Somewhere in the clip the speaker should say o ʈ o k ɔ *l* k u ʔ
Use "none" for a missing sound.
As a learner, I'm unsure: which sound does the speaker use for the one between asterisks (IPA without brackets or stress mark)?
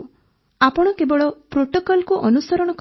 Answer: l